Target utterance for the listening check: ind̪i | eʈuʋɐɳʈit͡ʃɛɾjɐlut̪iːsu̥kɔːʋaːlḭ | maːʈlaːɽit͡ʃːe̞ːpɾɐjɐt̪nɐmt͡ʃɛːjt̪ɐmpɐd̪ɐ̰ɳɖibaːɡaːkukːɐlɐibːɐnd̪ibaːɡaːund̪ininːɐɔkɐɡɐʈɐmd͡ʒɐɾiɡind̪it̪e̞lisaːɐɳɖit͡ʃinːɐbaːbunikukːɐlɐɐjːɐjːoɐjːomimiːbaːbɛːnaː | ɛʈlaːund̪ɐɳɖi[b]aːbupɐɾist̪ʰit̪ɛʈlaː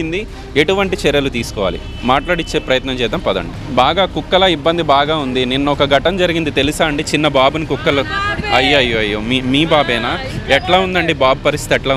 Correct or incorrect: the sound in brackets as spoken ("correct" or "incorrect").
correct